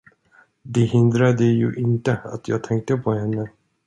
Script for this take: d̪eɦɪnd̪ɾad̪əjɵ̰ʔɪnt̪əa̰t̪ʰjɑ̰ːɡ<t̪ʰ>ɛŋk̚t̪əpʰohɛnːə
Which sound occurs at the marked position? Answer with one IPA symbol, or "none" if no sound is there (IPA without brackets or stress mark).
t̪ʰ